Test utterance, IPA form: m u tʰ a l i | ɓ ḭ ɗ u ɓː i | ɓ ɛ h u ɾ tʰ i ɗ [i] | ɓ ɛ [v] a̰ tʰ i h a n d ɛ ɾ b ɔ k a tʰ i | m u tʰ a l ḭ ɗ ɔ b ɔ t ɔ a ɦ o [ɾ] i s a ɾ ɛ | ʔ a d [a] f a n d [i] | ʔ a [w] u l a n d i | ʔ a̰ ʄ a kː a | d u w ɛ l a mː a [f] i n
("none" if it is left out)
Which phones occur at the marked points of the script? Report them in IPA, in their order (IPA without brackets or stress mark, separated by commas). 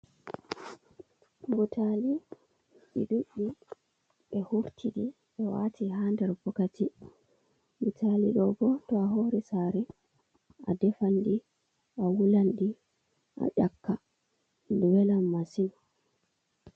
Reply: i, w, ɾ, ɛ, i, w, s